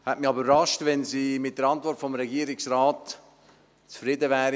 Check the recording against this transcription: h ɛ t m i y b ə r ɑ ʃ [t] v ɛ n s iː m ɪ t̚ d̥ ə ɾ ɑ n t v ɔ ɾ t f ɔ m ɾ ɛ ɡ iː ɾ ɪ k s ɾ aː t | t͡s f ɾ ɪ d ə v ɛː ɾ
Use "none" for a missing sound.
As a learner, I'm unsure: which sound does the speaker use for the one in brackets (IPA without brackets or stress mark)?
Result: t